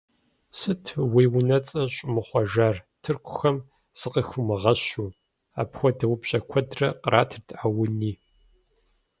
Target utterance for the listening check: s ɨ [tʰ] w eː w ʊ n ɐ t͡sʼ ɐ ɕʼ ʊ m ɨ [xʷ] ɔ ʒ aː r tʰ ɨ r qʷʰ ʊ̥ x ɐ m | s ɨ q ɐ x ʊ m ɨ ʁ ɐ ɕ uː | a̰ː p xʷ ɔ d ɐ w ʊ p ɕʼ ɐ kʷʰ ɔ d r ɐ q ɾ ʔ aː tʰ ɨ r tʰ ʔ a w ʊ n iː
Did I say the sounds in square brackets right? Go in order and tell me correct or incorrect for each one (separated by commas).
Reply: correct, incorrect